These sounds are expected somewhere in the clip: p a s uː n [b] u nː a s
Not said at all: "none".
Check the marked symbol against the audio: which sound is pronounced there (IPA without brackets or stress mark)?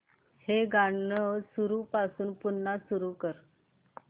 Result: p